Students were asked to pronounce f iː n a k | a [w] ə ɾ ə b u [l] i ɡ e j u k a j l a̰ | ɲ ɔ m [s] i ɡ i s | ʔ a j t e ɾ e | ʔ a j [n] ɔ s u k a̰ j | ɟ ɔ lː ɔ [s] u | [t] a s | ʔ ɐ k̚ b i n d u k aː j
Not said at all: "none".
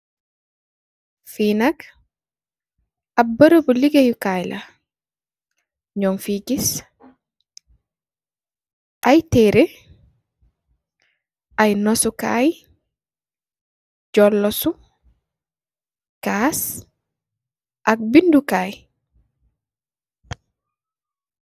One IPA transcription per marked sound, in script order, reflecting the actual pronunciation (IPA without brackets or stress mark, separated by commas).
b, l, f, n, s, k